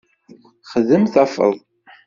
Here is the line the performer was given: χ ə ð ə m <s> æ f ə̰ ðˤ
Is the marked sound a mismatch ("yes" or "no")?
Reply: yes